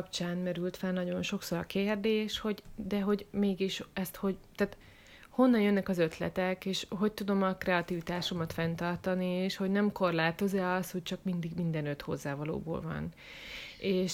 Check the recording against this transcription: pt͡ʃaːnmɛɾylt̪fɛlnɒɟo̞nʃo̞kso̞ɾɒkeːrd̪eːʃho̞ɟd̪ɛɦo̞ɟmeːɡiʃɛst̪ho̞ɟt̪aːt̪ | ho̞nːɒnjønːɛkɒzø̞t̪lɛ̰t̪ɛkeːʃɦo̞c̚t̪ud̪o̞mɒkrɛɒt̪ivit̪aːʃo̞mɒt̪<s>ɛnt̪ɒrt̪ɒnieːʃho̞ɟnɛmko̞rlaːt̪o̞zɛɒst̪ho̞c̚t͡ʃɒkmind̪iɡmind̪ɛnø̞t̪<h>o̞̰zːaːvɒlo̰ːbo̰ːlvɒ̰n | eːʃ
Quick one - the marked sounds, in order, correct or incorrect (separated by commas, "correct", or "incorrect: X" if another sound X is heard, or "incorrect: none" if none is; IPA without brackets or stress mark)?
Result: incorrect: f, correct